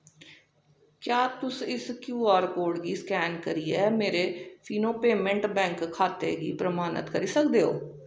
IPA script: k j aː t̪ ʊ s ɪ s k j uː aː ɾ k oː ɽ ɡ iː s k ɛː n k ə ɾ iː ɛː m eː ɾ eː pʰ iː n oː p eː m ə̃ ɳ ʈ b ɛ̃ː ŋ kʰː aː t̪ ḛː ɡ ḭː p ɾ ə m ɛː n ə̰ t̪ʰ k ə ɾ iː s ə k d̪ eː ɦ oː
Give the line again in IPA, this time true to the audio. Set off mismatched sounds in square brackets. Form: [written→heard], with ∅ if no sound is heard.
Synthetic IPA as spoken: k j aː t̪ ʊ s ɪ s k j uː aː ɾ k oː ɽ ɡ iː s k ɛː n k ə ɾ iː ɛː m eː ɾ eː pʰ iː n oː p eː m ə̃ ɳ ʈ b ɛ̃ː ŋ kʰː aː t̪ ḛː ɡ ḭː p ɾ ə m [ɛː→aː] n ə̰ [t̪ʰ→t̪] k ə ɾ iː s ə k d̪ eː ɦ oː